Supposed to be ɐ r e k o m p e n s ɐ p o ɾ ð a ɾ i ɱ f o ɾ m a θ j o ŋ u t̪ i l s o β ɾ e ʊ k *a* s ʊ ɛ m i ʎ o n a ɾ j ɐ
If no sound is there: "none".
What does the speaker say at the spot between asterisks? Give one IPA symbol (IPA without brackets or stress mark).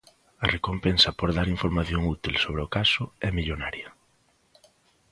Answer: a